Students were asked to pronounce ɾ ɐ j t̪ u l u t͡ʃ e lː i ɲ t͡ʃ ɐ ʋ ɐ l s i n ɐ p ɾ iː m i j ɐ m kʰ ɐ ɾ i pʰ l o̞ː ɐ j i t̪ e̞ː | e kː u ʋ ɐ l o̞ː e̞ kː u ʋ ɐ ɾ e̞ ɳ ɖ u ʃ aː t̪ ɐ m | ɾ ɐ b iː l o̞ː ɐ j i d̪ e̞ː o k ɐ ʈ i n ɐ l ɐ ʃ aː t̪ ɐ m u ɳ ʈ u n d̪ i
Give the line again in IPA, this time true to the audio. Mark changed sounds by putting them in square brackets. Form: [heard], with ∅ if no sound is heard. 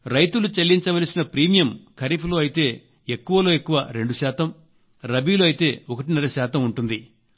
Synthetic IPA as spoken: ɾ ɐ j t̪ u l u t͡ʃ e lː i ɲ t͡ʃ ɐ ʋ ɐ l s i n ɐ p ɾ iː m i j ɐ m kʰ ɐ ɾ i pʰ l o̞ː ɐ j i t̪ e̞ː | e kː u ʋ ɐ l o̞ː e̞ kː u ʋ ɐ ɾ e̞ ɳ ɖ u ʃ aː t̪ ɐ m | ɾ ɐ b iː l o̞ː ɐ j i [t̪] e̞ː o k ɐ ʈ i n ɐ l ɐ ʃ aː t̪ ɐ m u ɳ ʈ u n d̪ i

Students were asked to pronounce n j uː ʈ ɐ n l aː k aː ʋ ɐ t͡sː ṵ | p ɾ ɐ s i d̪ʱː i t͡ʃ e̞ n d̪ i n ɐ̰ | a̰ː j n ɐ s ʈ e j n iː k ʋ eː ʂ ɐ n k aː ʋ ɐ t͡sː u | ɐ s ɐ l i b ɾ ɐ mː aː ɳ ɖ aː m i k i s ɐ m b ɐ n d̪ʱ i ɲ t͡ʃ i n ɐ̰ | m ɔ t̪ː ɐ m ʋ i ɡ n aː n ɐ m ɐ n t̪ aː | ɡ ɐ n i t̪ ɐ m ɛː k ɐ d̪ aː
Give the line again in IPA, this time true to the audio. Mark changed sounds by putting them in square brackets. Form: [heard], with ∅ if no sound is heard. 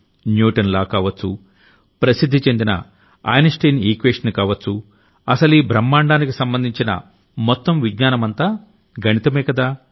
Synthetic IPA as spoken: n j uː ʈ ɐ n l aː k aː ʋ ɐ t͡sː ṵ | p ɾ ɐ s i d̪ʱː i t͡ʃ e̞ n d̪ i n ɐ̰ | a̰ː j n ɐ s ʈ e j n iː k ʋ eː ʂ ɐ n k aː ʋ ɐ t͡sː u | ɐ s ɐ l i b ɾ ɐ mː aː ɳ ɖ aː [n] i k i s ɐ m b ɐ n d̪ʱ i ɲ t͡ʃ i n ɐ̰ | m ɔ t̪ː ɐ m ʋ i ɡ [ɲ] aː n ɐ m ɐ n t̪ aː | ɡ ɐ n i t̪ ɐ m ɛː k ɐ d̪ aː

